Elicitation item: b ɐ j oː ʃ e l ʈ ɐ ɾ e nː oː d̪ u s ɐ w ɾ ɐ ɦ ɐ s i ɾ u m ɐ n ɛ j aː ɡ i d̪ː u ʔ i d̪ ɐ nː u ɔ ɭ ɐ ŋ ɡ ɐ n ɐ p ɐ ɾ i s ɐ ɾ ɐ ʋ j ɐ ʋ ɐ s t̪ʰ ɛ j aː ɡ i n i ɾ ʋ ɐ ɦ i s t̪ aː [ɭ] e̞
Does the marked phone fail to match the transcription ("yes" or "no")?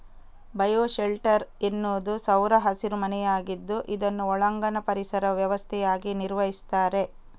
yes